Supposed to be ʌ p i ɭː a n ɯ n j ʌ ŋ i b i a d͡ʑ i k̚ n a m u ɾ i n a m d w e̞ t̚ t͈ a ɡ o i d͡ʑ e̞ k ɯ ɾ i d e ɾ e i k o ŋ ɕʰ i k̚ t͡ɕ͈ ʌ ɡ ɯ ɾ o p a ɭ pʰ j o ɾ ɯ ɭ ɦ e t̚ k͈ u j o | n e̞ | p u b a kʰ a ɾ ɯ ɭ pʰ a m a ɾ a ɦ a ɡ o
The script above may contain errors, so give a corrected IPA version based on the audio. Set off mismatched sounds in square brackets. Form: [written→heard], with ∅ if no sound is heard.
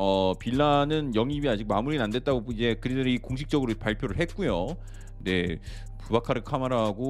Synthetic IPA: ʌ p i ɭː a n ɯ n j ʌ ŋ i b i a d͡ʑ i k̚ [n→m] a m u ɾ i n a [m→n] d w e̞ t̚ t͈ a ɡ o i d͡ʑ e̞ k ɯ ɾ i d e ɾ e i k o ŋ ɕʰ i k̚ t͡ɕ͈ ʌ ɡ ɯ ɾ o p a ɭ pʰ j o ɾ ɯ ɭ ɦ e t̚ k͈ u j o | n e̞ | p u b a kʰ a ɾ ɯ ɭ [pʰ→kʰ] a m a ɾ a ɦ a ɡ o